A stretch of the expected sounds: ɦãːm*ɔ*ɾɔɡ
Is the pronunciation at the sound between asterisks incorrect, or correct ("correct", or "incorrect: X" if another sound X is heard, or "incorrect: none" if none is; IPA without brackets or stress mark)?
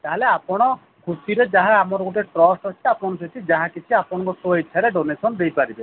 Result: correct